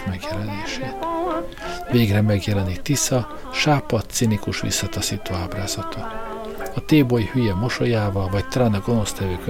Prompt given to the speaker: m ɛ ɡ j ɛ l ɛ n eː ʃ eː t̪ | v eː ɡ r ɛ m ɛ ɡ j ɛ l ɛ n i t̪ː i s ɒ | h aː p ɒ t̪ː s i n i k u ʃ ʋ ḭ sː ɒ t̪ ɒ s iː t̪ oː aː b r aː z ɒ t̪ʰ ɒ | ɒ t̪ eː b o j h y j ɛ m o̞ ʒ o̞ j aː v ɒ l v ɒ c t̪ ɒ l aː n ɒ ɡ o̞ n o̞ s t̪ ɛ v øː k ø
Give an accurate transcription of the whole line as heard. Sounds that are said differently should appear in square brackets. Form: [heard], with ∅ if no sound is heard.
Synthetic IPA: m ɛ ɡ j ɛ l ɛ n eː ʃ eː t̪ | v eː ɡ r ɛ m ɛ ɡ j ɛ l ɛ n i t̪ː i s ɒ | [ʃ] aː p ɒ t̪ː s i n i k u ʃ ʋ ḭ sː ɒ t̪ ɒ s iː t̪ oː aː b r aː z ɒ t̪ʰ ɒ | ɒ t̪ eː b o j h y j ɛ m o̞ [ʃ] o̞ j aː v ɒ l v ɒ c t̪ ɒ l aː n ɒ ɡ o̞ n o̞ s t̪ ɛ v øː k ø